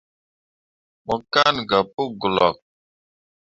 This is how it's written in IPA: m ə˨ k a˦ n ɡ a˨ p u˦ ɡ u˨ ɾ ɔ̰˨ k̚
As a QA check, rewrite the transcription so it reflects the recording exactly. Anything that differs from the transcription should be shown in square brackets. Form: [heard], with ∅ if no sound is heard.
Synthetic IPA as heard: m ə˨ k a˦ n ɡ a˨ p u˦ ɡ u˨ [l] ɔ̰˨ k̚